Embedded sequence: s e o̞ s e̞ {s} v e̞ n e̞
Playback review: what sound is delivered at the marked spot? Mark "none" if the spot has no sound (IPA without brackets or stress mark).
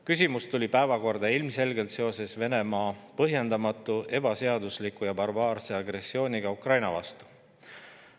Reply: s